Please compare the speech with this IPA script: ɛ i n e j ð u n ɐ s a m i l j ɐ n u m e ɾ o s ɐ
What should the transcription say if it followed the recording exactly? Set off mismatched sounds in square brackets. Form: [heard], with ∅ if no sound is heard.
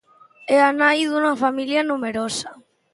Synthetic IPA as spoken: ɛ [a] n [a] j ð u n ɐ [f] a m i l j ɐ n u m e ɾ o s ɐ